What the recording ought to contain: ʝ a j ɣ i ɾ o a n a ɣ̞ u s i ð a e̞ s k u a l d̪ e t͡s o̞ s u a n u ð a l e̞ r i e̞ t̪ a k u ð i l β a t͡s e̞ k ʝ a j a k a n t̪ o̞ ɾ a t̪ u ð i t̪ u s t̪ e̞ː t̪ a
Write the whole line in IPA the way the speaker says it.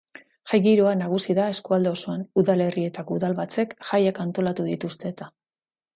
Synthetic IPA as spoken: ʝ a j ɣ i ɾ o a n a ɣ̞ u s i ð a e̞ s k u a l d̪ e o̞ s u a n u ð a l e̞ r i e̞ t̪ a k u ð a l β a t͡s e̞ k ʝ a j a k a n t̪ o̞ l a t̪ u ð i t̪ u s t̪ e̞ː t̪ a

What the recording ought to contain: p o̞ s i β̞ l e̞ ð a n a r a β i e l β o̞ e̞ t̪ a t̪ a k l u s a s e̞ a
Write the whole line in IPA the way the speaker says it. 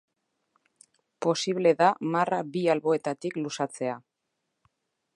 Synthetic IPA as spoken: p o̞ s i β̞ l e̞ ð a m a r a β i a l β o̞ e̞ t̪ a t̪ i k l u s a t͡s e̞ a

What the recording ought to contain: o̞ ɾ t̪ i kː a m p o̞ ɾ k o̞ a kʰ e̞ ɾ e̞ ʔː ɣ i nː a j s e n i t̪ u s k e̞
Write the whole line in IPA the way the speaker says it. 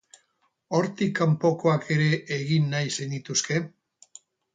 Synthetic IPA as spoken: o̞ ɾ t̪ i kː a m p o̞ k o̞ a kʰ e̞ ɾ e̞ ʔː ɣ i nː a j s e n i t̪ u s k e̞

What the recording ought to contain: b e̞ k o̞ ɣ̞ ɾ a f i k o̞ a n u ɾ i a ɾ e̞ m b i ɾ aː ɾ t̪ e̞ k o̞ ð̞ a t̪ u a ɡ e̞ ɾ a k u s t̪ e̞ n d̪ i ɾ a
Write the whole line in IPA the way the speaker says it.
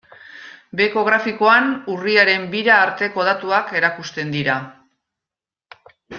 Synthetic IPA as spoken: b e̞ k o̞ ɣ̞ ɾ a f i k o̞ a n u r i a ɾ e̞ m b i ɾ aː ɾ t̪ e̞ k o̞ ð̞ a t̪ u a k e̞ ɾ a k u s t̪ e̞ n d̪ i ɾ a

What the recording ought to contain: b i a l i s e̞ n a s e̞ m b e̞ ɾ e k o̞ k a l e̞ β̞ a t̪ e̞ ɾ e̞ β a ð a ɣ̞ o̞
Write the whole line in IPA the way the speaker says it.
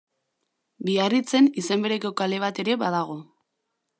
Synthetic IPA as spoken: b i a r i t͡s e̞ n i s e̞ m b e̞ ɾ e k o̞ k a l e̞ β̞ a t̪ e̞ ɾ e̞ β a ð a ɣ̞ o̞

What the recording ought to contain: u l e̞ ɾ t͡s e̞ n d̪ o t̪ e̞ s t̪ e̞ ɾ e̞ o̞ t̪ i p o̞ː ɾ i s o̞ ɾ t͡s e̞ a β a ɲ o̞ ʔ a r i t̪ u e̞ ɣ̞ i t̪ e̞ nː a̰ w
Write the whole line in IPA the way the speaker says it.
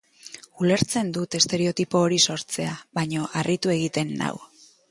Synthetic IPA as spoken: u l e̞ ɾ t͡s e̞ n d̪ u t̪ e̞ s t̪ e̞ ɾ e̞ o̞ t̪ i p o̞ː ɾ i s o̞ ɾ t͡s e̞ a β a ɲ o̞ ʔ a r i t̪ u e̞ ɣ̞ i t̪ e̞ nː a̰ w

